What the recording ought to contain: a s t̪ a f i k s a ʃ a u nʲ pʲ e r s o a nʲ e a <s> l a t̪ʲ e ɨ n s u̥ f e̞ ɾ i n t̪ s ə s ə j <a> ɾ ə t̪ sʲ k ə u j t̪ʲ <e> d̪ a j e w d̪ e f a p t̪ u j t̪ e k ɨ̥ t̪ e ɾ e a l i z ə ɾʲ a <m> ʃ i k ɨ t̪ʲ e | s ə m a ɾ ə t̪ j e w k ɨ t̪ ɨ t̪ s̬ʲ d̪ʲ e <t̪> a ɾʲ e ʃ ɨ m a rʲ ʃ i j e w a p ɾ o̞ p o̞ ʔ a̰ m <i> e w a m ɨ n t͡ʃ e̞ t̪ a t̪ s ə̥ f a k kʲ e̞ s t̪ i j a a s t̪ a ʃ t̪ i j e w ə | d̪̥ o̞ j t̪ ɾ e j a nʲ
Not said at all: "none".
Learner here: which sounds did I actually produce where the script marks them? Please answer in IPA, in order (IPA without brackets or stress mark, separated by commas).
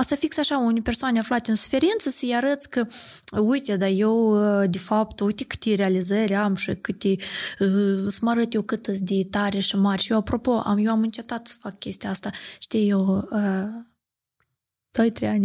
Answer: f, a, e, m, t̪, j